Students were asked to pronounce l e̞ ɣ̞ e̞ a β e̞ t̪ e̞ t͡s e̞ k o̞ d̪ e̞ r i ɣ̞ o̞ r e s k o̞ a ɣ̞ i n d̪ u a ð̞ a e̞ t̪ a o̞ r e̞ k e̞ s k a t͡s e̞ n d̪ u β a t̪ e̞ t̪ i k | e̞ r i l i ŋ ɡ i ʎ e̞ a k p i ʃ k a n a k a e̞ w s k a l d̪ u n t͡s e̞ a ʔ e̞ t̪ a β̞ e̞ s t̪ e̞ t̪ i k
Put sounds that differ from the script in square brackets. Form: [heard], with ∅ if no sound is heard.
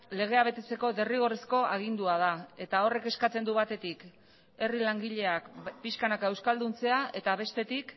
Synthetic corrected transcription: l e̞ ɣ̞ e̞ a β e̞ t̪ e̞ t͡s e̞ k o̞ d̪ e̞ r i ɣ̞ o̞ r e s k o̞ a ɣ̞ i n d̪ u a ð̞ a e̞ t̪ a o̞ r e̞ k e̞ s k a t͡s e̞ n d̪ u β a t̪ e̞ t̪ i k | e̞ r i l [a] ŋ ɡ i ʎ e̞ a k p i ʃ k a n a k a e̞ w s k a l d̪ u n t͡s e̞ a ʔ e̞ t̪ a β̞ e̞ s t̪ e̞ t̪ i k